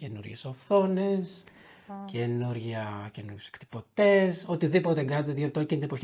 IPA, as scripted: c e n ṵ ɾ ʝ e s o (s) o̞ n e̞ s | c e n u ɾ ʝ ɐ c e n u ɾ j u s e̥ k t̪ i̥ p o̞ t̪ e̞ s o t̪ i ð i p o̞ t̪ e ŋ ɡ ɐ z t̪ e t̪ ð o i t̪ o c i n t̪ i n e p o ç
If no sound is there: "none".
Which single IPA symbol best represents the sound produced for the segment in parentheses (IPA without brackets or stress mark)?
θ